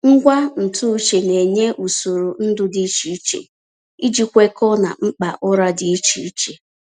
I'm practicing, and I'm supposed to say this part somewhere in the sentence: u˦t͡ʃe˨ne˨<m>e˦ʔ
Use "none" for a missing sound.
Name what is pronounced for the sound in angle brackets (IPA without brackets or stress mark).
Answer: ɲ